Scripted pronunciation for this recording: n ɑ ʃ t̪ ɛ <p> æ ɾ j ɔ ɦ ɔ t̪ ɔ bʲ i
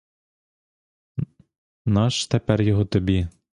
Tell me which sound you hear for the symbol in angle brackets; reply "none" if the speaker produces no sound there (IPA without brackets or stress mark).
p